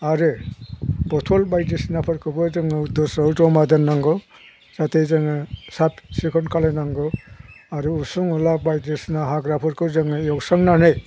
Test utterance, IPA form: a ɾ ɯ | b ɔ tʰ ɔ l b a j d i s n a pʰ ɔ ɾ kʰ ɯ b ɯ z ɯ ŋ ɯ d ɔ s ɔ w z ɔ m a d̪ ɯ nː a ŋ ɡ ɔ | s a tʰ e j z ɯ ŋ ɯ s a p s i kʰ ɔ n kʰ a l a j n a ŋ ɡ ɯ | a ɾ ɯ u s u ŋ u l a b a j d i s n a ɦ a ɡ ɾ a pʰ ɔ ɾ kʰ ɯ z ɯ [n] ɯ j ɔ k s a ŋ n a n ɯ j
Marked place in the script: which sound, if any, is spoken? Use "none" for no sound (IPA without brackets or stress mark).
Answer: ŋ